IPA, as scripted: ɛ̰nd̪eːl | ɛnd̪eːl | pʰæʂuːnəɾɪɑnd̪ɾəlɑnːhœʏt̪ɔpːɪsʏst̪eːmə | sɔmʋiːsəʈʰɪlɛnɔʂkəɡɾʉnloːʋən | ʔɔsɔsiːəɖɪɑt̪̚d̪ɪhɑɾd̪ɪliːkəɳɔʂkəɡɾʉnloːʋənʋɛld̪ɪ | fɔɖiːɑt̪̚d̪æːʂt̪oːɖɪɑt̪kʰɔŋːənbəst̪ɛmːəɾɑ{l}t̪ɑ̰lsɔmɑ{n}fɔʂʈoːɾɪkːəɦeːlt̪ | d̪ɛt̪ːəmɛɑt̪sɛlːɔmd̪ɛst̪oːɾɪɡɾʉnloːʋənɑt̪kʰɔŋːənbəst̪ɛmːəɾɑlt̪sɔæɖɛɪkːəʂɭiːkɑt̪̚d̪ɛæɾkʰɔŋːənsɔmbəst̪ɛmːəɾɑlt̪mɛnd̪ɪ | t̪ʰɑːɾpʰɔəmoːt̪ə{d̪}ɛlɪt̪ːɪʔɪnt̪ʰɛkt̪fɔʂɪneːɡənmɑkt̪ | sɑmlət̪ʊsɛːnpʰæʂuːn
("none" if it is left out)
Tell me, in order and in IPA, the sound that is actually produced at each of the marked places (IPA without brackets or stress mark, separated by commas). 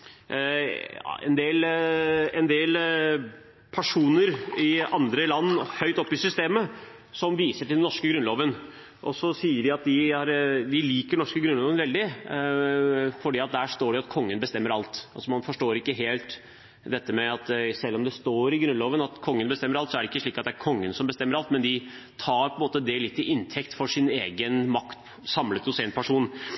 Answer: l, n, d̪